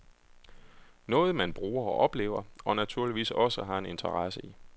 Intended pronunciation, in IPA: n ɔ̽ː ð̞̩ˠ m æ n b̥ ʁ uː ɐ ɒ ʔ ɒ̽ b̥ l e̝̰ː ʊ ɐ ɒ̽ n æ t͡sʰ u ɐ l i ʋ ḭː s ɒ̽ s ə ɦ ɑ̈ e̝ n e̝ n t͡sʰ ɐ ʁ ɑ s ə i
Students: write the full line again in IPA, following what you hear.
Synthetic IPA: n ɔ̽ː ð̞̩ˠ m æ n b̥ ʁ uː ɐ ɒ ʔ ɒ̽ b̥ l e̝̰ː ʊ ɐ ɒ̽ n æ t͡sʰ u ɐ l i ʋ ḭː s ɒ̽ s ə ɦ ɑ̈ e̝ n e̝ n t͡sʰ ɐ ʁ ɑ s ə i